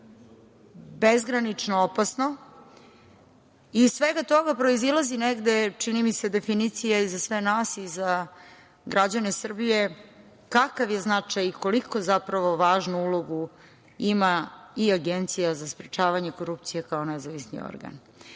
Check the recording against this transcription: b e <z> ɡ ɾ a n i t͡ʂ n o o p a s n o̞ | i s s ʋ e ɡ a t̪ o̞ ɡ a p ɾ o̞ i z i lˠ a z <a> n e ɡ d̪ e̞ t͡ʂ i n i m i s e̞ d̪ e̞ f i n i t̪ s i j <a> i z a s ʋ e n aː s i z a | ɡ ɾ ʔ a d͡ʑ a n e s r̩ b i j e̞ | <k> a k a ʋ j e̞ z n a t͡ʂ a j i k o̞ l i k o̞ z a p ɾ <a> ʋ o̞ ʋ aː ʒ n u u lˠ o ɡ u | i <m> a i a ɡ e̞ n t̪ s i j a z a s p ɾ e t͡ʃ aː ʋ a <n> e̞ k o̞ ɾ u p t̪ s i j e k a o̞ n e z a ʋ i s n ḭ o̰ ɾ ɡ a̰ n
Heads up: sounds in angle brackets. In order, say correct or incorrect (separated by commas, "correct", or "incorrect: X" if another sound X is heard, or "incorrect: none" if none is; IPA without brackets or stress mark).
correct, incorrect: i, correct, correct, correct, correct, incorrect: ɲ